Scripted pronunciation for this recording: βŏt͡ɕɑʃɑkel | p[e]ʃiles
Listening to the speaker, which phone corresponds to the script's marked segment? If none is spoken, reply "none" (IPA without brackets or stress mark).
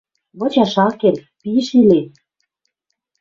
i